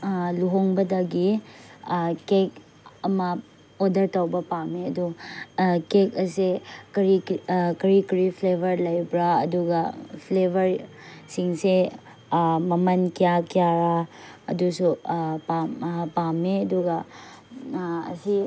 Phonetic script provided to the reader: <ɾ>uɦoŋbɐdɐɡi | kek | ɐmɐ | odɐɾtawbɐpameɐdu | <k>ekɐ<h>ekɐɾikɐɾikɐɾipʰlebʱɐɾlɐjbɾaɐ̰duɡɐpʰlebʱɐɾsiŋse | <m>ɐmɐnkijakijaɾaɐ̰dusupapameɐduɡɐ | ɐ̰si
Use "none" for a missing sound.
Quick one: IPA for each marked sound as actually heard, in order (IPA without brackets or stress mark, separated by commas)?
l, k, s, m